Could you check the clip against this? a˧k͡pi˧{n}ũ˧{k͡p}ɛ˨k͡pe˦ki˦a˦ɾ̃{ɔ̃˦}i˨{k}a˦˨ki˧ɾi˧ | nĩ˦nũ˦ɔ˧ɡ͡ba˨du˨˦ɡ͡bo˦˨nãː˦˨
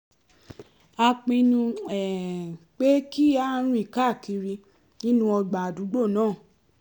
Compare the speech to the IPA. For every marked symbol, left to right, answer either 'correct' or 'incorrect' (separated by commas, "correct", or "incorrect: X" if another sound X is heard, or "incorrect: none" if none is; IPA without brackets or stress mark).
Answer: correct, incorrect: none, incorrect: ũ˦, correct